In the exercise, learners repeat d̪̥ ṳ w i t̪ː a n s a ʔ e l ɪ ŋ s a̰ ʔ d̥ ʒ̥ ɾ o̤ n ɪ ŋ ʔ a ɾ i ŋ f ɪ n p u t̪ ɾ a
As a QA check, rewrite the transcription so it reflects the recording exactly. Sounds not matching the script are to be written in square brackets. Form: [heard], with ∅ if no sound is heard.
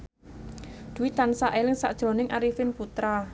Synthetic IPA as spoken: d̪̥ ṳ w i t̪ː a n s a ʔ e l ɪ ŋ s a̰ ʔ d̥ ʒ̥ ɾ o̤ n ɪ ŋ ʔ a ɾ i [∅] f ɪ n p u t̪ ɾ a